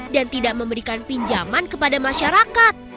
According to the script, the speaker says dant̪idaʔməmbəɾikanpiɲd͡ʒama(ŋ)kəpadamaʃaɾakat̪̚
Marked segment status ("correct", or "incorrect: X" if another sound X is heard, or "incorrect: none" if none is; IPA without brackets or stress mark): incorrect: n